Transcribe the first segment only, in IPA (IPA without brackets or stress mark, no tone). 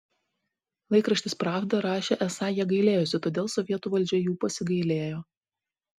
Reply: lˠ